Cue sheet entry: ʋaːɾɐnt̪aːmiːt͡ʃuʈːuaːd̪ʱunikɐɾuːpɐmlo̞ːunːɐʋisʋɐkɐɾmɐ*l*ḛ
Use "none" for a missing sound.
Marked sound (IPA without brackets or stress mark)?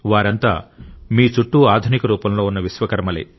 l